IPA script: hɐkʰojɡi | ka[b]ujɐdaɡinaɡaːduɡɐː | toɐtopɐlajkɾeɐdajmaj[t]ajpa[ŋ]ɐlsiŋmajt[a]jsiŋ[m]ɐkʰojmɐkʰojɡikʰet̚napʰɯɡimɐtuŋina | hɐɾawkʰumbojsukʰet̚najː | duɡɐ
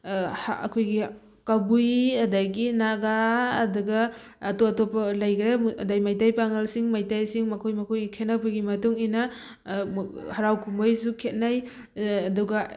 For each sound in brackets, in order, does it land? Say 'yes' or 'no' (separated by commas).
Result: yes, yes, yes, yes, yes